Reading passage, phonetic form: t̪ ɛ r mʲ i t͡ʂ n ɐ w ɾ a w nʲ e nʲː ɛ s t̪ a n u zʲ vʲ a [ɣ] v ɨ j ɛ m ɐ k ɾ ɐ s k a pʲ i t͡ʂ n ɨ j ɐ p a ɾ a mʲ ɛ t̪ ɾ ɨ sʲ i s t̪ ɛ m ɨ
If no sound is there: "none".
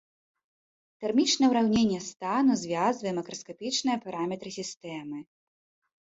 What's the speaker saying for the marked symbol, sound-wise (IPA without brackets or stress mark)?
z